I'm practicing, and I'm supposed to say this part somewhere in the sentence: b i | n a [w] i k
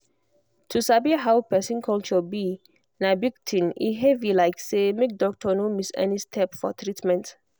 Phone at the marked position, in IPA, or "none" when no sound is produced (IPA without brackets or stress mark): b